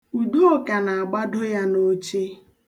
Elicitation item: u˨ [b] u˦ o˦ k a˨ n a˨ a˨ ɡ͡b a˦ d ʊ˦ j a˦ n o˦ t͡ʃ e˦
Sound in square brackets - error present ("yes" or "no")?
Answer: yes